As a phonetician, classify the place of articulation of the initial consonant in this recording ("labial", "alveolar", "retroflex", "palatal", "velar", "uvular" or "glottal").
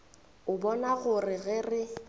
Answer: labial